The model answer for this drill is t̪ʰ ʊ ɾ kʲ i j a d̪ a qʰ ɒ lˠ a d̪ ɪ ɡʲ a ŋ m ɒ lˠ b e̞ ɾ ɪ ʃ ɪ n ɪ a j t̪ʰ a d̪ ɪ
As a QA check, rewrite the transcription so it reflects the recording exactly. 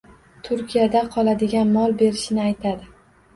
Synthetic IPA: t̪ʰ ʊ ɾ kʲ i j a d̪ a qʰ ɒ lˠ a d̪ ɪ ɡʲ a n m ɒ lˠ b e̞ ɾ ɪ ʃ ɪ n ɪ a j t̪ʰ a d̪ ɪ